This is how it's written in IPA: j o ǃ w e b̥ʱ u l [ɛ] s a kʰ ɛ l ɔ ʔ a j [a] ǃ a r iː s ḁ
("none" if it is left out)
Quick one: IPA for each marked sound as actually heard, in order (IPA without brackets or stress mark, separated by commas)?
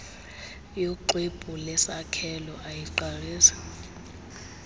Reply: ɛ, i